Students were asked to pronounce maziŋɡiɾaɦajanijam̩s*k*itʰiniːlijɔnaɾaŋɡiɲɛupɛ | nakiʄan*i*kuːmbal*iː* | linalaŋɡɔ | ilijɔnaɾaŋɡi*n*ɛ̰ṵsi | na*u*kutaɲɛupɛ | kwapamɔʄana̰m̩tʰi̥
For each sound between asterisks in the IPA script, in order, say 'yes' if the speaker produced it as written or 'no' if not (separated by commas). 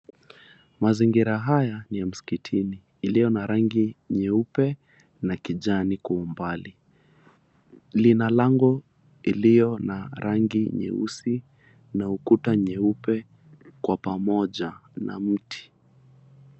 yes, yes, no, no, yes